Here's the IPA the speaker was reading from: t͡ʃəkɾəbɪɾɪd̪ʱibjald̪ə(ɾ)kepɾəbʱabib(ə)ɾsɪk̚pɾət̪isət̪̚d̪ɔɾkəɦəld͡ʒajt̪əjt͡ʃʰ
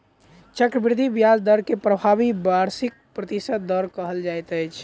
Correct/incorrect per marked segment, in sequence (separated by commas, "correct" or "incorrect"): correct, incorrect